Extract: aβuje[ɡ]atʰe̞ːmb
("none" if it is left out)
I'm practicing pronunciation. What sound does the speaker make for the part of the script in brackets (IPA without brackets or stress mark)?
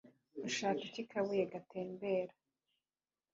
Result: ɡ